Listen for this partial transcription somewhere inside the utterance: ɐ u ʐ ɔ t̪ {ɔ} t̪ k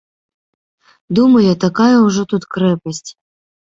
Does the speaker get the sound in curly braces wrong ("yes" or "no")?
yes